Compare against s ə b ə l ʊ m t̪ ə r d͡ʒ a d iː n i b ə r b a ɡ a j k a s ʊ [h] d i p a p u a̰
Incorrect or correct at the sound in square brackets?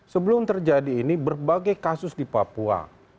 incorrect: s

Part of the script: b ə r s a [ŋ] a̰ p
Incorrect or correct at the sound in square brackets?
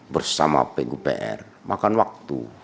incorrect: m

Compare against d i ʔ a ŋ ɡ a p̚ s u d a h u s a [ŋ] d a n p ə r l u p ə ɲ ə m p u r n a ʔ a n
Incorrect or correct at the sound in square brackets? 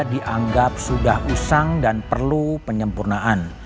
correct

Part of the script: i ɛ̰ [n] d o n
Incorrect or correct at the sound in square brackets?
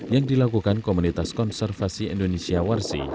correct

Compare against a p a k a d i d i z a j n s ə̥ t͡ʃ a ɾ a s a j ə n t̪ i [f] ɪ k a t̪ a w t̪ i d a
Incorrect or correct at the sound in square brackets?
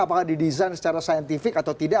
correct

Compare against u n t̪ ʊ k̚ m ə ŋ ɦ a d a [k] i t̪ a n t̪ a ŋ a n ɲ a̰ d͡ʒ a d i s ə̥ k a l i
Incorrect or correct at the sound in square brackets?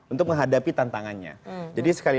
incorrect: p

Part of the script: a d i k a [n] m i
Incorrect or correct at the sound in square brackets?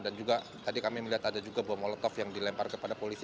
incorrect: none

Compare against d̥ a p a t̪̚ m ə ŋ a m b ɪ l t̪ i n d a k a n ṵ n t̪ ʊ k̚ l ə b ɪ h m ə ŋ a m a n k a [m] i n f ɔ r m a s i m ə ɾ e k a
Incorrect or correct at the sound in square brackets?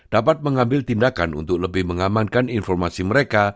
incorrect: n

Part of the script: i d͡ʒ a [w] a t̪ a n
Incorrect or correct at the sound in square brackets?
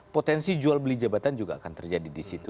incorrect: b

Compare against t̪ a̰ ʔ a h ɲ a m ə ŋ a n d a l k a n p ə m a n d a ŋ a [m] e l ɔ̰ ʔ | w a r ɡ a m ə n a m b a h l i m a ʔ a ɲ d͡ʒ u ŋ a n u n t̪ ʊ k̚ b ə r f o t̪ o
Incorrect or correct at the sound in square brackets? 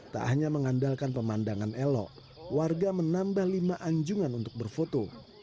incorrect: n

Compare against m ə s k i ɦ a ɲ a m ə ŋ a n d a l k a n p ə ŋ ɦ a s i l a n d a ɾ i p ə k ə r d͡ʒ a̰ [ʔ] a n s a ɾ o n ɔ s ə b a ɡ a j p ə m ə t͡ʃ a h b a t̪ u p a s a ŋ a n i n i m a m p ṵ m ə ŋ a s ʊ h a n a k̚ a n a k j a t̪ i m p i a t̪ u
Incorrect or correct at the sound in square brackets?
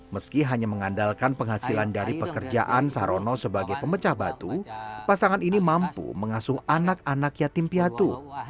correct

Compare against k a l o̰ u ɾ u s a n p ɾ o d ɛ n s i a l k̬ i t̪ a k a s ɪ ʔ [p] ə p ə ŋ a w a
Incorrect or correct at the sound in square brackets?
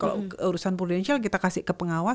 incorrect: k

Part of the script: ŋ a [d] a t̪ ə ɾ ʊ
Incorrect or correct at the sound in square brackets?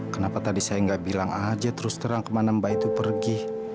incorrect: d͡ʒ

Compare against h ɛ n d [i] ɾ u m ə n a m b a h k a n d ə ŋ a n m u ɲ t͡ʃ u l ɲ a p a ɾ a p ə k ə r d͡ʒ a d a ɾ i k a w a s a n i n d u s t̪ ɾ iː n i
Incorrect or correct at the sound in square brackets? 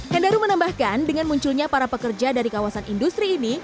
incorrect: a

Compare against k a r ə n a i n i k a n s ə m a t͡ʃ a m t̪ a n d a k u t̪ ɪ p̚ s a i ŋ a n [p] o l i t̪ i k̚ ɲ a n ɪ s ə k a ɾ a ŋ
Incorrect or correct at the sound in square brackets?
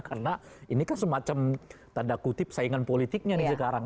correct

